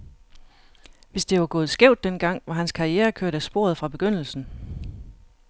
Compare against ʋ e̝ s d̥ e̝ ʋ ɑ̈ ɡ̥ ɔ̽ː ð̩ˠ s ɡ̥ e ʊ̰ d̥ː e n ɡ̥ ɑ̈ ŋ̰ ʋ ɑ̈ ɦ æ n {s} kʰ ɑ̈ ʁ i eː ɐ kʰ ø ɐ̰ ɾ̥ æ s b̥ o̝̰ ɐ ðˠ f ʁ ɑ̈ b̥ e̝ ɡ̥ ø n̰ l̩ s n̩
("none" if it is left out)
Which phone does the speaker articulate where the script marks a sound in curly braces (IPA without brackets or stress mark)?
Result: s